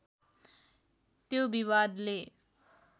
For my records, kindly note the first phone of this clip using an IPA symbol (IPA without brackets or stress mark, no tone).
t̪